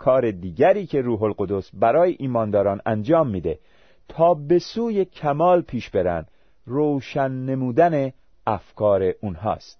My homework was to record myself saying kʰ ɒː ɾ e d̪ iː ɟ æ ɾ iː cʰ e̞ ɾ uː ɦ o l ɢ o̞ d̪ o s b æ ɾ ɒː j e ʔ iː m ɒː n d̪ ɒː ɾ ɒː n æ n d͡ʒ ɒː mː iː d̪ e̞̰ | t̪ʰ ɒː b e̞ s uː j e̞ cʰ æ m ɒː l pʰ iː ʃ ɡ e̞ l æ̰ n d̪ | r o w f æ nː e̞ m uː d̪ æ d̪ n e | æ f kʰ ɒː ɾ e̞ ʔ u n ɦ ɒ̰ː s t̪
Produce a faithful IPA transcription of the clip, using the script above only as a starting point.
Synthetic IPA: kʰ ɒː ɾ e d̪ iː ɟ æ ɾ iː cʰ e̞ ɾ uː ɦ o l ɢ o̞ d̪ o s b æ ɾ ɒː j e ʔ iː m ɒː n d̪ ɒː ɾ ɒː n æ n d͡ʒ ɒː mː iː d̪ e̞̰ | t̪ʰ ɒː b e̞ s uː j e̞ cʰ æ m ɒː l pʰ iː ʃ b e̞ ɾ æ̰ n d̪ | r o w ʃ æ nː e̞ m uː d̪ æ n e | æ f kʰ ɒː ɾ e̞ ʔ u n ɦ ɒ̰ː s t̪